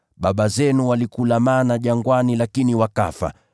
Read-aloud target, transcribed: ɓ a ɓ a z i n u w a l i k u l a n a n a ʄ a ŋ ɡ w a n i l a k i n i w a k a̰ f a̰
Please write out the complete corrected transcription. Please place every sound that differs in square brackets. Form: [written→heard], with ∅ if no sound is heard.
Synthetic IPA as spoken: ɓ a ɓ a z [i→ɛ] n u w a l i k u l a [n→m] a n a ʄ a ŋ ɡ w a n i l a k i n i w a k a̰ f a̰